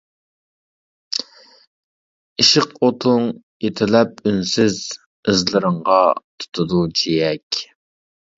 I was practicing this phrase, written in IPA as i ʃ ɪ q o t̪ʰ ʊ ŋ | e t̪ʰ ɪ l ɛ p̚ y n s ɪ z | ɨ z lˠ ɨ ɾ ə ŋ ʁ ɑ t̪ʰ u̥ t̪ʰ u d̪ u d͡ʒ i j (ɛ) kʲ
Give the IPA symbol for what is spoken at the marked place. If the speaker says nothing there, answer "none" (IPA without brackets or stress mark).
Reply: ɛ